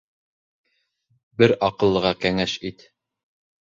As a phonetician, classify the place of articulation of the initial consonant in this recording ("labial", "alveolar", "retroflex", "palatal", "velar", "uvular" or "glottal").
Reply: labial